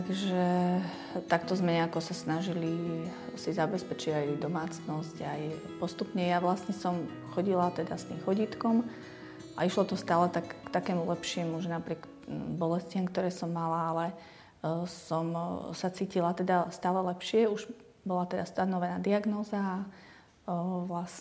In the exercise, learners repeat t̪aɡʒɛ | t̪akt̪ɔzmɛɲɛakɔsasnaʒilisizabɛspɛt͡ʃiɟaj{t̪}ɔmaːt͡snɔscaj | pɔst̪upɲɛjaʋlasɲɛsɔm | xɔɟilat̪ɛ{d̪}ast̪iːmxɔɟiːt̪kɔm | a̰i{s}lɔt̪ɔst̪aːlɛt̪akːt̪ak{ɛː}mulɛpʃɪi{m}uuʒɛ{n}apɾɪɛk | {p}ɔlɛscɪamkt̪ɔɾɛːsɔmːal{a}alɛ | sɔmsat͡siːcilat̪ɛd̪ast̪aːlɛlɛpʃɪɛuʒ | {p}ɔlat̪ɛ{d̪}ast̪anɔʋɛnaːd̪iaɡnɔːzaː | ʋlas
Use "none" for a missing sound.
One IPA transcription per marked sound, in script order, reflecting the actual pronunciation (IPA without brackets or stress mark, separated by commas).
d̪, d̪, ʃ, ɛː, m, n, b, a, b, d̪